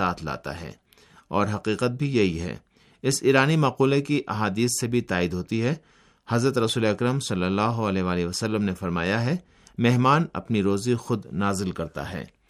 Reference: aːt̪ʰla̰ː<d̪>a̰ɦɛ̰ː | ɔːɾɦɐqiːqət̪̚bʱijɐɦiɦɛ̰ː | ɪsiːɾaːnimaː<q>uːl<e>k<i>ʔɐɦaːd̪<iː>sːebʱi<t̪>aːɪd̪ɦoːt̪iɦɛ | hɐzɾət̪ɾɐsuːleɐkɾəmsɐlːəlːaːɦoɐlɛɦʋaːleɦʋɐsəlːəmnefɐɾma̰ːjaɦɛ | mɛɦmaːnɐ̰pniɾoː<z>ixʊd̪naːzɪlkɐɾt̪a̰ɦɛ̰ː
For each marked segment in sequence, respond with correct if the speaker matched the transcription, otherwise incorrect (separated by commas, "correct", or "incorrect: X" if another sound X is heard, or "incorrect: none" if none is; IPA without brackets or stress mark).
incorrect: t̪, correct, correct, correct, correct, correct, correct